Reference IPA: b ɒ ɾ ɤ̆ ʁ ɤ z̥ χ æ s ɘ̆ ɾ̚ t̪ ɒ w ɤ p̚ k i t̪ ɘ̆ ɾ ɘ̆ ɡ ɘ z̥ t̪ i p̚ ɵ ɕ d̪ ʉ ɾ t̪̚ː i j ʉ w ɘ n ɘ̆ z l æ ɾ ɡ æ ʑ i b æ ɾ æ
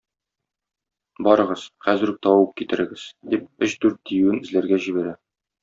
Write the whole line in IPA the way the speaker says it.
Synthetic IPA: b ɒ ɾ ɤ̆ ʁ ɤ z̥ χ æ z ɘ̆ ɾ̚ t̪ ɒ w ɤ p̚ k i t̪ ɘ̆ ɾ ɘ̆ ɡ ɘ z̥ d̪ i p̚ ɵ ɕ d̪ ʉ ɾ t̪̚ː i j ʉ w ɘ n ɘ̆ z l æ ɾ ɡ æ ʑ i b æ ɾ æ